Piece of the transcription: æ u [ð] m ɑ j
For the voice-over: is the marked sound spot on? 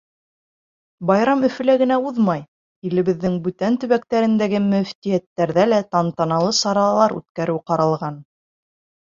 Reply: yes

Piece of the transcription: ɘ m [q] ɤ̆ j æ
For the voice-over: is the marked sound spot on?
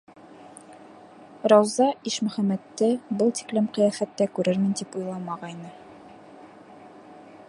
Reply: yes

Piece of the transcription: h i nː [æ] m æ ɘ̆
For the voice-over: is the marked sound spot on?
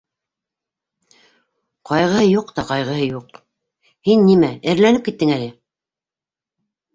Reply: no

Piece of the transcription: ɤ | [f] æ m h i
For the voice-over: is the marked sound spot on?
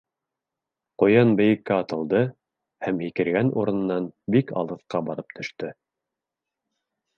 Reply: no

